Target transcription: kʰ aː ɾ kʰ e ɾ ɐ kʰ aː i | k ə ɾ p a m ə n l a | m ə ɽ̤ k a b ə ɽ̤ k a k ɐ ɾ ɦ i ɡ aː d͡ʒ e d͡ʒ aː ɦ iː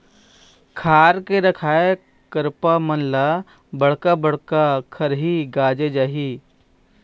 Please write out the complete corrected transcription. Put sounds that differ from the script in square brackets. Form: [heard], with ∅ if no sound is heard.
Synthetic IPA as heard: kʰ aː ɾ [k] e ɾ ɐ kʰ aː [e] | k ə ɾ p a m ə n l a | [b] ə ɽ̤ k a b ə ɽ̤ k a [kʰ] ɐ ɾ ɦ i ɡ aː d͡ʒ e d͡ʒ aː ɦ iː